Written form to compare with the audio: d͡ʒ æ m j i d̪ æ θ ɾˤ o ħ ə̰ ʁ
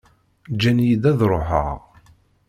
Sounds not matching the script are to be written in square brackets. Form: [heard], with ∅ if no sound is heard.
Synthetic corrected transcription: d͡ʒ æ [n] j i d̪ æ [ð] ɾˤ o ħ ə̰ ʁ